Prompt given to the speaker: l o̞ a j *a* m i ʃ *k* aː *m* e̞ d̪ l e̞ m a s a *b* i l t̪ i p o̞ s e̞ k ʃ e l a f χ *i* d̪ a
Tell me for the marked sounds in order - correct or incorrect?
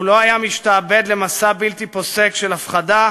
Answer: correct, incorrect: t, incorrect: b, correct, incorrect: a

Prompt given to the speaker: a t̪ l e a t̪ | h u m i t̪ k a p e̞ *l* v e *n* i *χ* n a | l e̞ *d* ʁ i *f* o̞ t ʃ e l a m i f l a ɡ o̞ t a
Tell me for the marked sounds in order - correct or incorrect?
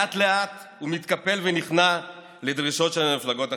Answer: correct, correct, correct, correct, incorrect: ʃ

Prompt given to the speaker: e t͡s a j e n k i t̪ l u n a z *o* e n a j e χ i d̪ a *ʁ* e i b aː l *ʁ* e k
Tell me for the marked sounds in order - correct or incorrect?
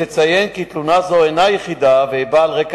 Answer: correct, incorrect: v, correct

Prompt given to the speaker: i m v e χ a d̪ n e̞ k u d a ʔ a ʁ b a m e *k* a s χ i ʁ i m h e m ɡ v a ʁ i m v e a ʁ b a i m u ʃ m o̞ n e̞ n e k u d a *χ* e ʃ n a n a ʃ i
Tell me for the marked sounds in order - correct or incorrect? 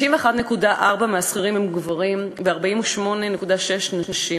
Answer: incorrect: none, incorrect: ʃ

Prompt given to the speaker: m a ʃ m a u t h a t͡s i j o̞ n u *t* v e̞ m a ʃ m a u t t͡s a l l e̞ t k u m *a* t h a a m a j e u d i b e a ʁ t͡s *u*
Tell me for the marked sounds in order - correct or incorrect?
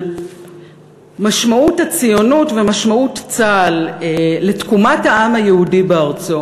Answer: correct, correct, incorrect: o

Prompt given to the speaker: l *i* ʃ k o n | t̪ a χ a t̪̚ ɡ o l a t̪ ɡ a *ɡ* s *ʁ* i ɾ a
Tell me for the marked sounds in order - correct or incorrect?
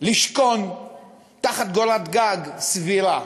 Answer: correct, correct, incorrect: v

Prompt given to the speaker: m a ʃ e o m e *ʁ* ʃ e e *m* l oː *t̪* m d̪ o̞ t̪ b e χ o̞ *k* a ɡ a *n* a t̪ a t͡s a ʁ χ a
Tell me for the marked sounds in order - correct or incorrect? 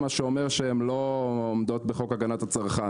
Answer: correct, correct, incorrect: none, correct, correct

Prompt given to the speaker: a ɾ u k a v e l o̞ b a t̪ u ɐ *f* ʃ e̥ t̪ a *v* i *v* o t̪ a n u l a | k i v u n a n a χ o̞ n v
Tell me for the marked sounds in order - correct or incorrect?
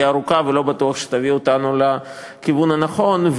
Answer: incorrect: χ, correct, incorrect: none

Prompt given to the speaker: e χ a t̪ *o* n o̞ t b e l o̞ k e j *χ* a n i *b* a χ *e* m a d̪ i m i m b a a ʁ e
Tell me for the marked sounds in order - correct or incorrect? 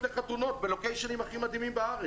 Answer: incorrect: u, incorrect: ʃ, incorrect: m, incorrect: i

